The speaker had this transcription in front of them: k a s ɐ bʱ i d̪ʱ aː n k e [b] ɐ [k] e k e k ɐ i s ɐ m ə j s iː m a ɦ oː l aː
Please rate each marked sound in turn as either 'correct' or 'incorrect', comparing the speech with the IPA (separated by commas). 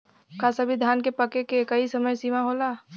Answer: incorrect, correct